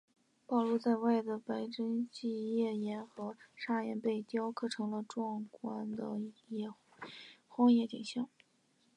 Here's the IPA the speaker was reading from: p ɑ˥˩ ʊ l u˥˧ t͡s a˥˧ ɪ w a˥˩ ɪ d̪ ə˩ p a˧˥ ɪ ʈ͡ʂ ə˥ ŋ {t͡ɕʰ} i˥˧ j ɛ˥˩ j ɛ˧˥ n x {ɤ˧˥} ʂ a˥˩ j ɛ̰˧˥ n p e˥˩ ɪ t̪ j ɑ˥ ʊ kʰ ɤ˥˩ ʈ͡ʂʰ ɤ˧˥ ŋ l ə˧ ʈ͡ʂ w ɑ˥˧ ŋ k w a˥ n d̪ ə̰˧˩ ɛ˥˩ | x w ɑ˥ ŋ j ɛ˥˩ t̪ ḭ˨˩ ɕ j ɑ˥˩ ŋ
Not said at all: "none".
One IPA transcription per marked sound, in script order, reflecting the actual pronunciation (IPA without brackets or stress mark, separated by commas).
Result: t͡ɕ, ɤ˧˥